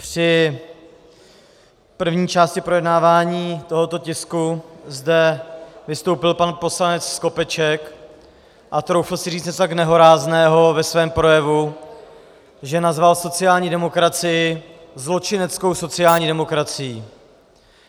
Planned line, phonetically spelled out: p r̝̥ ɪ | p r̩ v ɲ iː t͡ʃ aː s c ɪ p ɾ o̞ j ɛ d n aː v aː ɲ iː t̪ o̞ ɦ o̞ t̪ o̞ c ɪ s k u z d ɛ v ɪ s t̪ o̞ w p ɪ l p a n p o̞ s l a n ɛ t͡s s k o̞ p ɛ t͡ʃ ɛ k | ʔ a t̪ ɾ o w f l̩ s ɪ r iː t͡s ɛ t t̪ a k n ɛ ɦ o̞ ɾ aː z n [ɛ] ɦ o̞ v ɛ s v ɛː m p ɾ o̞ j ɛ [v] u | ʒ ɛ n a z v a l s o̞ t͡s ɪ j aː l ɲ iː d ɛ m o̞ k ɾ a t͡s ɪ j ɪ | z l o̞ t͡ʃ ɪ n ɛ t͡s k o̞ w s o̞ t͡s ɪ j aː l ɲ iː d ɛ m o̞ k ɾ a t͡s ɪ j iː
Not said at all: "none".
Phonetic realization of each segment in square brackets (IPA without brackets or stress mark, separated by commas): ɛː, v